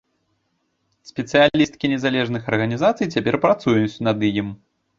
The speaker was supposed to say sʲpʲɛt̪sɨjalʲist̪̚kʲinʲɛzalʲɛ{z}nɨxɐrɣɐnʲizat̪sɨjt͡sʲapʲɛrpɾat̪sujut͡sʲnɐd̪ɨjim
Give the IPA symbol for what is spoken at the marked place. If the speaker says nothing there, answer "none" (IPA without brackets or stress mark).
ʐ